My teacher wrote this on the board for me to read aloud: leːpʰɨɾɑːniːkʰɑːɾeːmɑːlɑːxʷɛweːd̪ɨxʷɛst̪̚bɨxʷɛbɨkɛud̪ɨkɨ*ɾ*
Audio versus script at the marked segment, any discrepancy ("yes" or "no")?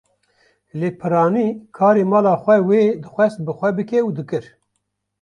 no